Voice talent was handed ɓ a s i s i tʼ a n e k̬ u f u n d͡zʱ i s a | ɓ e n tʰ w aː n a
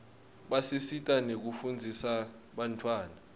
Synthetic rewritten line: ɓ a s i s i tʼ a n e k̬ u f u n d͡zʱ i s a | ɓ a n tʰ w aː n a